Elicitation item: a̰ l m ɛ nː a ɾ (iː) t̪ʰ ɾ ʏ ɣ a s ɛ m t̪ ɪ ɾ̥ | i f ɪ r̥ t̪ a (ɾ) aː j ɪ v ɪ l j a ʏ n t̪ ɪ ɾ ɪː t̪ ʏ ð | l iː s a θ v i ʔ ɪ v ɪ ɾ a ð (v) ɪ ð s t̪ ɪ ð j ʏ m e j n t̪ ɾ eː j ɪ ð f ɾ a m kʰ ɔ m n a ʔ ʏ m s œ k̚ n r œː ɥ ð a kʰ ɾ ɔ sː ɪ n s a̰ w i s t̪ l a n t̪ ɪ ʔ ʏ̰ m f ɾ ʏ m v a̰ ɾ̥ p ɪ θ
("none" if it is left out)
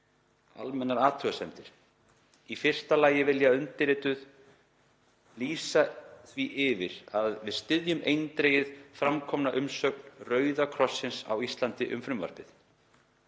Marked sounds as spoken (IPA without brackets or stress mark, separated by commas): aː, l, v